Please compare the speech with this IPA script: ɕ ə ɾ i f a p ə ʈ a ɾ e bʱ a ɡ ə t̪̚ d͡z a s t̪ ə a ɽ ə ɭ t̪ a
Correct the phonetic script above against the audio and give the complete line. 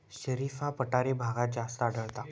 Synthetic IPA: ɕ ə ɾ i f a p ə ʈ a ɾ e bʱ a ɡ a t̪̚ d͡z a s t̪ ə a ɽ ə ɭ t̪ a

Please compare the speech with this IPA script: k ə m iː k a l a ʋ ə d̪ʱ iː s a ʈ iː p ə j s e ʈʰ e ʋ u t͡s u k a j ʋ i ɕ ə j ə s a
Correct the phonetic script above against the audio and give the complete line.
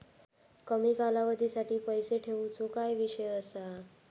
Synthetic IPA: k ə m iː k a l a ʋ ə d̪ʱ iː s a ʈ iː p ə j s e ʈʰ e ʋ u t͡s o k a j ʋ i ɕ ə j ə s a

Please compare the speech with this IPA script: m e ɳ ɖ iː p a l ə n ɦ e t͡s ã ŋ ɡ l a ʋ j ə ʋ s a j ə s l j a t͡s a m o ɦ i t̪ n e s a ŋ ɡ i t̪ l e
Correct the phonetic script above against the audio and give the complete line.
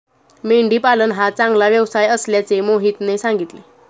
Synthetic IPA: m e ɳ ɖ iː p a l ə n ɦ a t͡s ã ŋ ɡ l a ʋ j ə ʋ s a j ə s l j a t͡s e m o ɦ i t̪ n e s a ŋ ɡ i t̪ l e

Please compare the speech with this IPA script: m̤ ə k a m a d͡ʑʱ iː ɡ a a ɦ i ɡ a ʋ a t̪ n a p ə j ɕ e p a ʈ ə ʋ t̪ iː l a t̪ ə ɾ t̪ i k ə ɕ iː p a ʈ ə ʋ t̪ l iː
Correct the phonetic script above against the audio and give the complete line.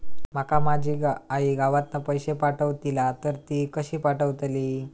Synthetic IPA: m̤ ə k a m a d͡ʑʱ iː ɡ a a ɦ i ɡ a ʋ a t̪ n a p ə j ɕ e p a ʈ ə ʋ t̪ i l a t̪ ə ɾ t̪ i k ə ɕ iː p a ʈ ə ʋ t̪ l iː

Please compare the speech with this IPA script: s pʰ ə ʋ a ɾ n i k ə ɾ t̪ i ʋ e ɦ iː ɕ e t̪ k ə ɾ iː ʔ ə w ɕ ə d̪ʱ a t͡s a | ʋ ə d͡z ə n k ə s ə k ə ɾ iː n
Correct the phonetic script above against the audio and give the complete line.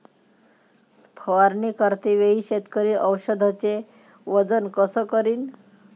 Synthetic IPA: s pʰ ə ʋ a ɾ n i k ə ɾ t̪ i ʋ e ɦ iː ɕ e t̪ k ə ɾ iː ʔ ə w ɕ ə d̪ʱ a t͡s e | ʋ ə d͡z ə n k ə s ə k ə ɾ iː n

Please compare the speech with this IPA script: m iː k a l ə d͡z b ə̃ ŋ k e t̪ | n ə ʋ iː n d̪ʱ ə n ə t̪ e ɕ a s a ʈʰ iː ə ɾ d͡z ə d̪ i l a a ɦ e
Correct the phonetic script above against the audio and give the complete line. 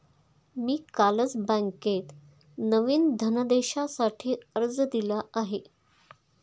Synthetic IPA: m iː k a l ə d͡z b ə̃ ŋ k e t̪ | n ə ʋ iː n d̪ʱ ə n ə d̪ e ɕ a s a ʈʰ iː ə ɾ d͡z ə d̪ i l a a ɦ e

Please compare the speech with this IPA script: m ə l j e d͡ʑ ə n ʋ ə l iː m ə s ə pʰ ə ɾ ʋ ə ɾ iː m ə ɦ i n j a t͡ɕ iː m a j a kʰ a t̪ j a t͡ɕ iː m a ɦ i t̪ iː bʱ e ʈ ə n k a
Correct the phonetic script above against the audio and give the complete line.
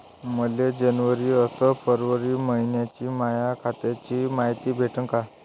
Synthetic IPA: m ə l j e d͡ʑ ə n ʋ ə ɾ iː ə s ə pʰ ə ɾ ʋ ə ɾ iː m ə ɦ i n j a t͡ɕ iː m a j a kʰ a t̪ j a t͡ɕ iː m a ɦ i t̪ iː bʱ e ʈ ə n k a

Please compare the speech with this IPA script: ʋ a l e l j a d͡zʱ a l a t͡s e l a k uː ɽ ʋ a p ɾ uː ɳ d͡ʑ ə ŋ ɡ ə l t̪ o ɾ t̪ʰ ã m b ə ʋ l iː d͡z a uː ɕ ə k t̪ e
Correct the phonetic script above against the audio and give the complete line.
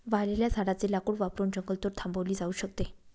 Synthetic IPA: ʋ a l e l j a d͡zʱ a ɽ a t͡s e l a k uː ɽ ʋ a p ɾ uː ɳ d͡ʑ ə ŋ ɡ ə l t̪ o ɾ t̪ʰ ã m b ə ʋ l iː d͡z a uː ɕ ə k t̪ e

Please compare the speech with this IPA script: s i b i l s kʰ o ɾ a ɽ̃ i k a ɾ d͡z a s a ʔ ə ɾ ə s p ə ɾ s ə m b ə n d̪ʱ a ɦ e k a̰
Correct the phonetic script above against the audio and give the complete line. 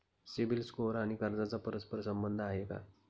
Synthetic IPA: s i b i l s k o ɾ a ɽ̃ i k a ɾ d͡z a t͡s a p ə ɾ ə s p ə ɾ s ə m b ə n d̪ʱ a ɦ e k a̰

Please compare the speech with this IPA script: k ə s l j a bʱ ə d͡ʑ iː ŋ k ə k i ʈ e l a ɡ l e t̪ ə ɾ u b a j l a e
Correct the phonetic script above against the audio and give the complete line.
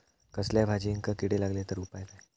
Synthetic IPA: k ə s l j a bʱ a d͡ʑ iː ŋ k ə k i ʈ e l a ɡ l e t̪ ə ɾ u p a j l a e

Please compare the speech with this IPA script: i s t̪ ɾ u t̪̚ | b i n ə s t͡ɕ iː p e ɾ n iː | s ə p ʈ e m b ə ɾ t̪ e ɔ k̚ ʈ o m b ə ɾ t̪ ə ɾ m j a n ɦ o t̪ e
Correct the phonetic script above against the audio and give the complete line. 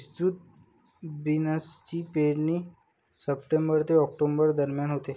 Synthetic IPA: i s t̪ ɾ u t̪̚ | b i n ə s t͡ɕ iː p e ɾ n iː | s ə p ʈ e m b ə ɾ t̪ e ɔ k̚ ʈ o m b ə ɾ d̪ ə ɾ m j a n ɦ o t̪ e

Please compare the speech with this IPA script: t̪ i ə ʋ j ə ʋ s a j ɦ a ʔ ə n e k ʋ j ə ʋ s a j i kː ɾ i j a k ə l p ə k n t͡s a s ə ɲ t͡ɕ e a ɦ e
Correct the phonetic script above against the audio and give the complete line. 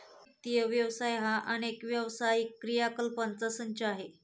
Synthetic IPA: t̪ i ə ʋ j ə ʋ s a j ɦ a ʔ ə n e k ʋ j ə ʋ s a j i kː ɾ i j a k ə l p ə n t͡s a s ə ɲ t͡ɕ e a ɦ e

